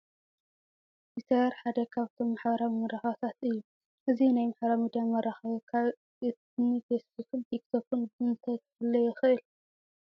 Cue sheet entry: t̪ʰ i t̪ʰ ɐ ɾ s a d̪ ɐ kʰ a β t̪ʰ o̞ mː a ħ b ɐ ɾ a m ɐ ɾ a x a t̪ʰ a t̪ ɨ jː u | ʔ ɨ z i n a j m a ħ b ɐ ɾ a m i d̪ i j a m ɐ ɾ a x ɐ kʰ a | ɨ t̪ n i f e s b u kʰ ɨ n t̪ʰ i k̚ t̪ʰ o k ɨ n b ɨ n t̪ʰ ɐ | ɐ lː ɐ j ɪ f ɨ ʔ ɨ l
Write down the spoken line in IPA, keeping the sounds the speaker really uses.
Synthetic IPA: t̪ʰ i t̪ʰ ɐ ɾ ħ a d̪ ɐ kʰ a β t̪ʰ o̞ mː a ħ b ɐ ɾ a m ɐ ɾ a x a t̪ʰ a t̪ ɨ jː u | ʔ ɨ z i n a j m a ħ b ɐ ɾ a m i d̪ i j a m ɐ ɾ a x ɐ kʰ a | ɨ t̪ n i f e s b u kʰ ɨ n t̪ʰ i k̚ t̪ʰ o k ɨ n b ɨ n t̪ʰ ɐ | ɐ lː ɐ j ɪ x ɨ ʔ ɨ l

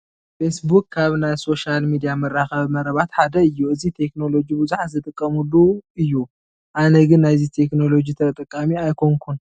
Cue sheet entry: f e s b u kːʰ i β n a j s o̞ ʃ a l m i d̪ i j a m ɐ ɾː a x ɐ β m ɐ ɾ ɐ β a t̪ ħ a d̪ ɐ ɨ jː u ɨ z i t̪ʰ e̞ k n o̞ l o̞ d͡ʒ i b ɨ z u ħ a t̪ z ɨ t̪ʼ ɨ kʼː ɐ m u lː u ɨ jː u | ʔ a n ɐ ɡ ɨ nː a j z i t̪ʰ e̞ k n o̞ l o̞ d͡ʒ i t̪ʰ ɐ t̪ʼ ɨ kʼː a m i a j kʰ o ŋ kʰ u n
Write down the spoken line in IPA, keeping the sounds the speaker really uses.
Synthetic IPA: f e s b u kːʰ a β n a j s o̞ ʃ a l m i d̪ i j a m ɐ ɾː a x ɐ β m ɐ ɾ ɐ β a t̪ ħ a d̪ ɐ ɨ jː u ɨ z i t̪ʰ e̞ k n o̞ l o̞ d͡ʒ i b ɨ z u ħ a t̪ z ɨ t̪ʼ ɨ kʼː ɐ m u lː u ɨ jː u | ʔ a n ɐ ɡ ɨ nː a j z i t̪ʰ e̞ k n o̞ l o̞ d͡ʒ i t̪ʰ ɐ t̪ʼ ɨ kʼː a m i a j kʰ o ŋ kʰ u n

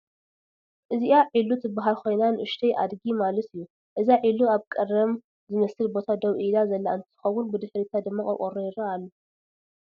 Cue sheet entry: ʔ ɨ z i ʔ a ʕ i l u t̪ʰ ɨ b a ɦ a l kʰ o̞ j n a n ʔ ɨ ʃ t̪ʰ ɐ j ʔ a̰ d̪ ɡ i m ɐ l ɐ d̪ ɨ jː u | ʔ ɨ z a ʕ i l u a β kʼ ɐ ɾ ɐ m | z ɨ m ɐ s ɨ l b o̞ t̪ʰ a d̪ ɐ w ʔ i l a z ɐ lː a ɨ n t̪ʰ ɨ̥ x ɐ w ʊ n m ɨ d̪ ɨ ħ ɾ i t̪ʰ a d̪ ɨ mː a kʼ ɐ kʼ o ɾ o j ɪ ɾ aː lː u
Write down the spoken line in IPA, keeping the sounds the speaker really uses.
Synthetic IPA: ʔ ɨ z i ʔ a ʕ i l u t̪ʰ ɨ b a ɦ a l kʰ o̞ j n a n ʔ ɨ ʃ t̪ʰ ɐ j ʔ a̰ d̪ ɡ i m a l ɐ t̪ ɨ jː u | ʔ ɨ z a ʕ i l u a β kʼ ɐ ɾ ɐ m | z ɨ m ɐ s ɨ l b o̞ t̪ʰ a d̪ ɐ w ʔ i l a z ɐ lː a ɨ n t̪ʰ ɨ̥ x ɐ w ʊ n b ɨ d̪ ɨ ħ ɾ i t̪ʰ a d̪ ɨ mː a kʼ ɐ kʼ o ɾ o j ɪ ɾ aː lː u

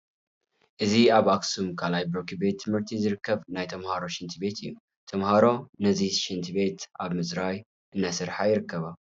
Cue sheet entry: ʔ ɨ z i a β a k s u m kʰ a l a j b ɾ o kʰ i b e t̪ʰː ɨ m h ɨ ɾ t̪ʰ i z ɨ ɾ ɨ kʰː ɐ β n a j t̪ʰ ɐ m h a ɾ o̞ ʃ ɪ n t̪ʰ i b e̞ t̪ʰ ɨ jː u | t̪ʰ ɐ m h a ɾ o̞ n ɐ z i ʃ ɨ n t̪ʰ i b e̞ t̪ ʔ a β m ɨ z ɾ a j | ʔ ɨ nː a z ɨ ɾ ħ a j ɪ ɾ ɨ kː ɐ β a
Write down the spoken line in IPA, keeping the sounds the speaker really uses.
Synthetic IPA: ʔ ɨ z i a β a k s u m kʰ a l a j b ɾ o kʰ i b e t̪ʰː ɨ m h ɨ ɾ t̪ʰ i z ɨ ɾ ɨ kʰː ɐ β n a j t̪ʰ ɐ m h a ɾ o̞ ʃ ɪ n t̪ʰ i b e̞ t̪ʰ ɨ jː u | t̪ʰ ɐ m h a ɾ o̞ n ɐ z i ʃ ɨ n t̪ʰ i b e̞ t̪ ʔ a β m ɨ z ɾ a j | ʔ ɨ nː a s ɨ ɾ ħ a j ɪ ɾ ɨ kː ɐ β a

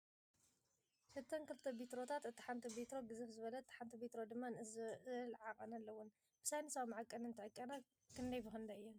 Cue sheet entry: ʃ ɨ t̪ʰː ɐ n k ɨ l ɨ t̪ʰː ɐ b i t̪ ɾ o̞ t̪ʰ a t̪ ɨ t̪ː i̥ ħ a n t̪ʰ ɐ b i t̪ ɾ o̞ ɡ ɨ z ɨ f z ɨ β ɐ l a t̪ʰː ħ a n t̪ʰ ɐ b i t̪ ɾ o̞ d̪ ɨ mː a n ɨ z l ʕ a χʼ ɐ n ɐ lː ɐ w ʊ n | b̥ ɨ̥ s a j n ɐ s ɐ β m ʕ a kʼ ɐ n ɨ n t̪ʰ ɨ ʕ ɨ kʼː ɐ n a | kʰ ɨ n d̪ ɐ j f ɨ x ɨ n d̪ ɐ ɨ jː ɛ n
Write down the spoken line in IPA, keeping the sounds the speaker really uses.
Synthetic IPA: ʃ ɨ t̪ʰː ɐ n k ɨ l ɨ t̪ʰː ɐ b i t̪ ɾ o̞ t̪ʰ a t̪ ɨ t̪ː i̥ ħ a n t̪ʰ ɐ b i t̪ ɾ o̞ ɡ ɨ z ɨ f z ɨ β ɐ l ɐ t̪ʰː ħ a n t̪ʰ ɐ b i t̪ ɾ o̞ d̪ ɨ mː a n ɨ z l ʕ a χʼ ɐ n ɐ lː ɐ w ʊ n | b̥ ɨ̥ s a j n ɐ s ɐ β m ʕ a kʼ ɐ n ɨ n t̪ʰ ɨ ʕ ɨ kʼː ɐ n a | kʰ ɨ n d̪ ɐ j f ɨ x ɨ n d̪ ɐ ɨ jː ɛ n

